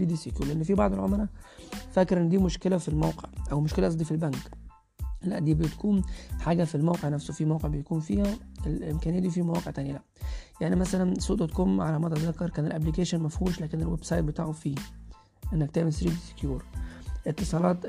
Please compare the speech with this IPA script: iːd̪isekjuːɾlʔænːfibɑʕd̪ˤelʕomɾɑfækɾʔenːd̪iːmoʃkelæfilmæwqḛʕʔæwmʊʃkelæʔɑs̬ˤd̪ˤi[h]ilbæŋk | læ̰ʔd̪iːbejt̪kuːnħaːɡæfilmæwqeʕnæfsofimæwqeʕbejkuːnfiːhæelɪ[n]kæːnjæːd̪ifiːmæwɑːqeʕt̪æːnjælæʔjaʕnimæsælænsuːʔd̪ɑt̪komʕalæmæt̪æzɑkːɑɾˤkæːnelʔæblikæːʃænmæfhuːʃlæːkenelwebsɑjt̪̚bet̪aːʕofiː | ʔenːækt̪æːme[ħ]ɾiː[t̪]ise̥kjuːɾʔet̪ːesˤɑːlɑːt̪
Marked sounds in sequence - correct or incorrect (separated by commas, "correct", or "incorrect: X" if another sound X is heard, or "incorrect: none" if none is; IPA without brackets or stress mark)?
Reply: incorrect: f, incorrect: m, incorrect: s, incorrect: d̪